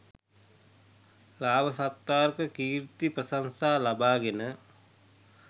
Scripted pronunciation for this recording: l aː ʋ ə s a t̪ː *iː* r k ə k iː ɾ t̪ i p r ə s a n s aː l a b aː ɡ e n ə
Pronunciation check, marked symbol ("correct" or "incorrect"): incorrect